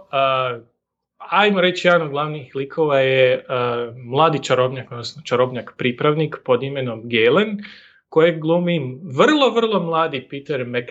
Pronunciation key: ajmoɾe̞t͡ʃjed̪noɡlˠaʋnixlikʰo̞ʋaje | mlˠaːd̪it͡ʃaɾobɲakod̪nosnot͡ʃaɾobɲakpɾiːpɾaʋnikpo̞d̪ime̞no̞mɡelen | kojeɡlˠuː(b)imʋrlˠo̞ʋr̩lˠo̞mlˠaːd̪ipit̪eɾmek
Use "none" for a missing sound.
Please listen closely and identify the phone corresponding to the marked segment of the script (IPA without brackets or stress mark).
m